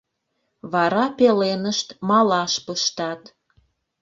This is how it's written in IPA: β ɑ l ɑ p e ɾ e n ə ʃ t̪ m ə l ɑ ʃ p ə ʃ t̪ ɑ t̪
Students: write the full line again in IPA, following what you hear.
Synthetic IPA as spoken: β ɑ ɾ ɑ p e l e n ə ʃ t̪ m ɑ l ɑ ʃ p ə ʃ t̪ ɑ t̪